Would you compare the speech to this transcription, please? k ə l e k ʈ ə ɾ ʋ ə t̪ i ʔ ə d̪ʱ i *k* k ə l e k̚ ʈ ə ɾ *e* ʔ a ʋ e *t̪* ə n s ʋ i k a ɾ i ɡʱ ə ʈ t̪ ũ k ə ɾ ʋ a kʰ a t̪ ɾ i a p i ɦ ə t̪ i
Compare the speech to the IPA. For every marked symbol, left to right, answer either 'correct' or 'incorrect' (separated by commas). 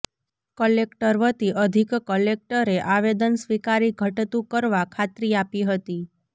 correct, correct, incorrect